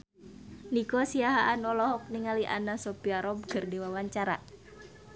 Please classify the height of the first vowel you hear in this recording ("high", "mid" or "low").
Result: high